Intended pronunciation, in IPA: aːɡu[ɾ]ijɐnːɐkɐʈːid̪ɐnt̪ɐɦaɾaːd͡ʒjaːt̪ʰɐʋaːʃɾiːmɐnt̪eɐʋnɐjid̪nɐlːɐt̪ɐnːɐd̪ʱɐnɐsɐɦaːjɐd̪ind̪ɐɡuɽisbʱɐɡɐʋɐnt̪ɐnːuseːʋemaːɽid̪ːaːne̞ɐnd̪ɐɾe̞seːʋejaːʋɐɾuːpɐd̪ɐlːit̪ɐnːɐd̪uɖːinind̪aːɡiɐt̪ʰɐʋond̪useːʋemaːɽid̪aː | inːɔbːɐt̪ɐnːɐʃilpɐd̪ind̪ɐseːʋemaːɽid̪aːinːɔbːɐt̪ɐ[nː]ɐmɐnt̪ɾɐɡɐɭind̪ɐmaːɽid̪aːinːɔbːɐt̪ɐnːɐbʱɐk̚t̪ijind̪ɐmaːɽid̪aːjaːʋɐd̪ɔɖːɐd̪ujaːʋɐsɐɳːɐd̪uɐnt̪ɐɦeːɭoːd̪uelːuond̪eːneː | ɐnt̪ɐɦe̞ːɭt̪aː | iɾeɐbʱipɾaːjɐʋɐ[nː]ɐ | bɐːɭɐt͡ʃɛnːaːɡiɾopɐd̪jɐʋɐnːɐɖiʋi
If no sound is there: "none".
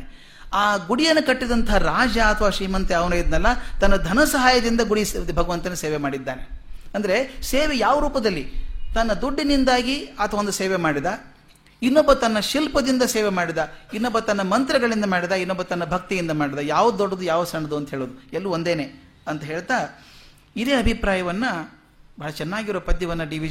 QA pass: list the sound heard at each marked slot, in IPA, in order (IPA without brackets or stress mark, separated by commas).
ɽ, nː, nː